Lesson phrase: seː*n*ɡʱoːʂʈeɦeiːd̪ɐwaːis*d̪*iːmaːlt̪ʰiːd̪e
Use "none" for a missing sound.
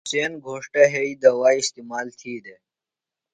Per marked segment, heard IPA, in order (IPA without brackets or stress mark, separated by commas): n, t̪